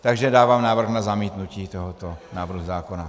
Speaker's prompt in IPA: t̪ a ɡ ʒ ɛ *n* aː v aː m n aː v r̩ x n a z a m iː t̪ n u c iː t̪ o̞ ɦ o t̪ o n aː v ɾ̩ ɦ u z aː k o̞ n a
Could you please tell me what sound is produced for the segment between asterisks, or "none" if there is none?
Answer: d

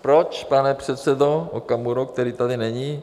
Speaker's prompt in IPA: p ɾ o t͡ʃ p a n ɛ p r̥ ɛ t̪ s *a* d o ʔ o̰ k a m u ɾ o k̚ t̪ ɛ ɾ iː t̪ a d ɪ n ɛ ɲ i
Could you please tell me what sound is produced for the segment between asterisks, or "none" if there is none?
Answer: ɛ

